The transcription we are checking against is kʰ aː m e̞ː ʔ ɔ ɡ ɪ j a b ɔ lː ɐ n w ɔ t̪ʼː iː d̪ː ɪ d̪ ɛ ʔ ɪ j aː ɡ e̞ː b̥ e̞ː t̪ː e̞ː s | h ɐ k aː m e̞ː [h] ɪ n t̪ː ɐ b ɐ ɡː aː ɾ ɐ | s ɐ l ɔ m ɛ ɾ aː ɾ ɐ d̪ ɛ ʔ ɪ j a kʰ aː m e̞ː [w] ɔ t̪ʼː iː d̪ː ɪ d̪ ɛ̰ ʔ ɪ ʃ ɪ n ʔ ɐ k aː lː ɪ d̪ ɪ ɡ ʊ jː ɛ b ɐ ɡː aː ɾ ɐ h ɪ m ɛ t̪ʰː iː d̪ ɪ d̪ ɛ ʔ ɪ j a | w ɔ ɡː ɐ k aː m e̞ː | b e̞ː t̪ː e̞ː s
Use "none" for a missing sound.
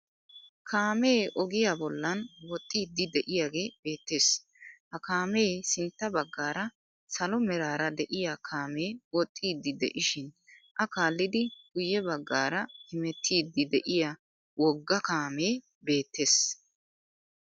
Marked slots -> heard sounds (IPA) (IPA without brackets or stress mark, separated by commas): s, w